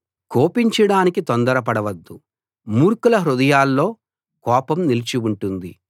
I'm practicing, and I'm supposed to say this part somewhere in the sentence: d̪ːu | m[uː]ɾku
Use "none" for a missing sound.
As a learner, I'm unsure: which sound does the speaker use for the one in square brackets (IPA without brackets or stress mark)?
uː